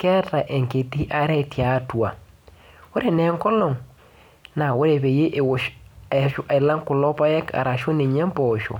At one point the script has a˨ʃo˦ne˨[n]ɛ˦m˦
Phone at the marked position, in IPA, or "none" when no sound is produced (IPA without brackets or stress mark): ɲ